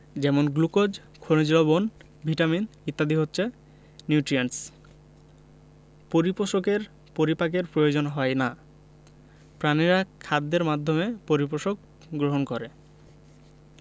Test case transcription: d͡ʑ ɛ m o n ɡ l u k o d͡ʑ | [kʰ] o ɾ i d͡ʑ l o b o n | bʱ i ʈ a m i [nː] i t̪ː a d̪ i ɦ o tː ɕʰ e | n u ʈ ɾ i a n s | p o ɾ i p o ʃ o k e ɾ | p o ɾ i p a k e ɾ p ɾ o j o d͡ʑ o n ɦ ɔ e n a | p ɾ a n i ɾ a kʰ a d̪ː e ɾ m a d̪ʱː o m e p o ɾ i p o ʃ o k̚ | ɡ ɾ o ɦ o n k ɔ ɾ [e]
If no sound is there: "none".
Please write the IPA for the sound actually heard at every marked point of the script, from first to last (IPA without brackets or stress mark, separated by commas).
kʰ, n, e